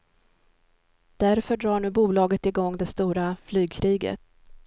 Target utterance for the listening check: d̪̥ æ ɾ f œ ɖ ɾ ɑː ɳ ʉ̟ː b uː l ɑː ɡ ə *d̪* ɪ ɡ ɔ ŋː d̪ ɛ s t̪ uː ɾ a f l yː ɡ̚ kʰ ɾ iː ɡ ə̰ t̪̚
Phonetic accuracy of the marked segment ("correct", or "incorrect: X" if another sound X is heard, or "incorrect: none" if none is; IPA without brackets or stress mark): incorrect: t̪